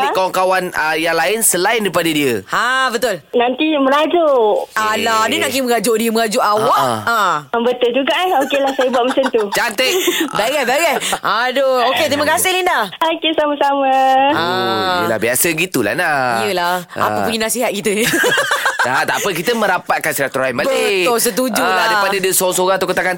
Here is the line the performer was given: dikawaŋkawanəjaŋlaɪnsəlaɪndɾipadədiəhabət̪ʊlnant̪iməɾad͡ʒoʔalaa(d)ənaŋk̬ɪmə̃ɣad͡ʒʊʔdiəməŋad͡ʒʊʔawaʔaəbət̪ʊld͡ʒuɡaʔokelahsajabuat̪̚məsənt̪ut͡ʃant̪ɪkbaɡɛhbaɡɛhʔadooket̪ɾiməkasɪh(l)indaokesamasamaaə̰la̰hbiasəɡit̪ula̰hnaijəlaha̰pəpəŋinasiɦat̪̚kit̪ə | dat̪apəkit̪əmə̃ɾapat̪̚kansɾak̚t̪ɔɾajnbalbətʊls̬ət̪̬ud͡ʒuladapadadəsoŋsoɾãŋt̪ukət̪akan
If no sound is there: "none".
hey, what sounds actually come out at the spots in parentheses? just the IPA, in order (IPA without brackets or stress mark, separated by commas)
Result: d, l